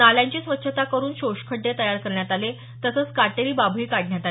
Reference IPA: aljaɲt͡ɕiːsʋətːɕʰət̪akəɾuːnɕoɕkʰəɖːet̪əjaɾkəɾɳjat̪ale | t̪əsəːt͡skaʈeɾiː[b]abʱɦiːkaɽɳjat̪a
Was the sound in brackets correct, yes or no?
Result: yes